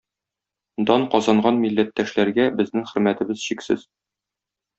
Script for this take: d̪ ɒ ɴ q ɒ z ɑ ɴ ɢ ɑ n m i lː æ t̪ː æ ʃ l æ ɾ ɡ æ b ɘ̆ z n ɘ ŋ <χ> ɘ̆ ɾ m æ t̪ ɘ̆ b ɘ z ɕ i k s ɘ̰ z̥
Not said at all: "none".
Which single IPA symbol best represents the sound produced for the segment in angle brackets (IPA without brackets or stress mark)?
χ